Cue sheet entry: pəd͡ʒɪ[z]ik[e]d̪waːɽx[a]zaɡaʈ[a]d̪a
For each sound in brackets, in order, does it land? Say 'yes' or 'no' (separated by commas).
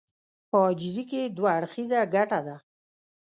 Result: yes, yes, no, yes